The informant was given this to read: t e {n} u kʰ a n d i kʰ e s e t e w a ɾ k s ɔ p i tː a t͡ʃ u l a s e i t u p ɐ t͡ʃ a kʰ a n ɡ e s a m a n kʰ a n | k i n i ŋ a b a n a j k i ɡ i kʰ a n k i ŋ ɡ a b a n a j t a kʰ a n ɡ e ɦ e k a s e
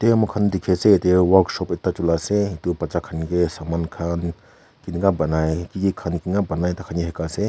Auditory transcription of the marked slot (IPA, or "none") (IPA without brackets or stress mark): m